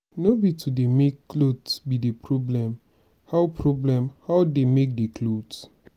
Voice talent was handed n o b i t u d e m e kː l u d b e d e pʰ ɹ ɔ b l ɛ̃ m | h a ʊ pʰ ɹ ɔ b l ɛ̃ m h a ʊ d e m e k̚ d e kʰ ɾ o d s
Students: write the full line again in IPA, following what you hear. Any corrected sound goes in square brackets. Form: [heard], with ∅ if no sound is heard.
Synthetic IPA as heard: n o b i t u d e m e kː l [o] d b [i] d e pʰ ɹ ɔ b l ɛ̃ m | h a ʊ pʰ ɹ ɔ b l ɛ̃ m h a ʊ d e m e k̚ d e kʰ [l] o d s